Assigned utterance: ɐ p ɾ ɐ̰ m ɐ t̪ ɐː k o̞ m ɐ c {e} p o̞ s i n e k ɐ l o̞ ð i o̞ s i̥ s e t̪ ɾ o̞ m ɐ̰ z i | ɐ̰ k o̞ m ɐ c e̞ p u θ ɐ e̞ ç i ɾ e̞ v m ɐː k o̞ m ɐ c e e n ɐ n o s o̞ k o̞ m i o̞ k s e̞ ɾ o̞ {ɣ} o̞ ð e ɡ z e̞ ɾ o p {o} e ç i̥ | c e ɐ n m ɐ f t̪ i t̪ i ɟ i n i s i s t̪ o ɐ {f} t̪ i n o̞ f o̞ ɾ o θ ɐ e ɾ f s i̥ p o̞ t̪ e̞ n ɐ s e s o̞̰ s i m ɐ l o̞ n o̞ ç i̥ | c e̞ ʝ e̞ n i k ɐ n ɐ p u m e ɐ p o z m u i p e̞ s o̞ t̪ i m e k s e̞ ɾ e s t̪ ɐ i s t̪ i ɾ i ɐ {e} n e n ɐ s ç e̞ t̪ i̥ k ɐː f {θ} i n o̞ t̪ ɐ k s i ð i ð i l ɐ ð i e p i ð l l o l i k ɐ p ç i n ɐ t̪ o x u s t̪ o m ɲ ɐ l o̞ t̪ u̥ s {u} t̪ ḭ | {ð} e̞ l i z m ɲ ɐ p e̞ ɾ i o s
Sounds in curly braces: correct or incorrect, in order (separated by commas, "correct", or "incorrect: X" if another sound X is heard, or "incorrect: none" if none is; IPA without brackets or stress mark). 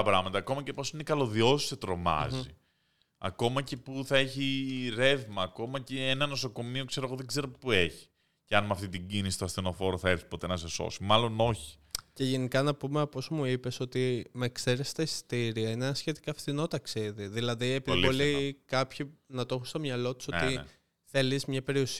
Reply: correct, correct, incorrect: u, incorrect: s, incorrect: i, correct, incorrect: o, incorrect: θ